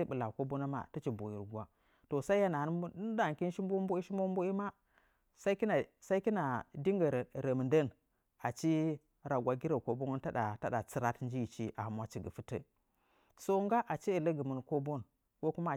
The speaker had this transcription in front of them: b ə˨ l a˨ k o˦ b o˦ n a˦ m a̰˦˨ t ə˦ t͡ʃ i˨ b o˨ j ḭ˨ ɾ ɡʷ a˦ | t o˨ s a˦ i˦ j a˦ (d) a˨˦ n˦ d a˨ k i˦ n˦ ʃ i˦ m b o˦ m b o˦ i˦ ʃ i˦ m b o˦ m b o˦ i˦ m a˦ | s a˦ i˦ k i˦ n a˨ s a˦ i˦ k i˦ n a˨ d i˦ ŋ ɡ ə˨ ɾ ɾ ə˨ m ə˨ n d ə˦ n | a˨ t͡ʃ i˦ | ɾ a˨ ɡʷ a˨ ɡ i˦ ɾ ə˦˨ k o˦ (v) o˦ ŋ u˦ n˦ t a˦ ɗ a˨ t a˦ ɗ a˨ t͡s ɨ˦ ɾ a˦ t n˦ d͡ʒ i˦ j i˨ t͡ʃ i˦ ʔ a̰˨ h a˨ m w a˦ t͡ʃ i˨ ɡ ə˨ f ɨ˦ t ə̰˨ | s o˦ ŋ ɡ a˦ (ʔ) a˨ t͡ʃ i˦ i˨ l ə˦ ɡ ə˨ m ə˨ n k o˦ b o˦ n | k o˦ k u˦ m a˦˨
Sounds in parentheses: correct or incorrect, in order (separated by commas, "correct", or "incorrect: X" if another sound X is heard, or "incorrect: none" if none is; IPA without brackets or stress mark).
incorrect: n, incorrect: b, correct